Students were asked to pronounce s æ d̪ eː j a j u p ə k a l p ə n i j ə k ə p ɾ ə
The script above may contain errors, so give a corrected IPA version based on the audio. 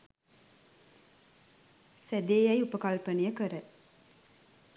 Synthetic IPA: s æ d̪ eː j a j u p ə k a l p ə n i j ə k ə ɾ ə